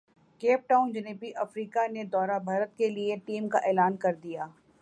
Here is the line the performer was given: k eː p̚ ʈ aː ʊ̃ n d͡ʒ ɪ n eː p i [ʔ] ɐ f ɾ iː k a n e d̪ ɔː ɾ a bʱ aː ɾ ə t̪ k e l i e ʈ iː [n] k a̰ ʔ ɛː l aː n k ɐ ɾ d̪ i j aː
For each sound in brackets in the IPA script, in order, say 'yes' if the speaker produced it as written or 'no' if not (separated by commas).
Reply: yes, no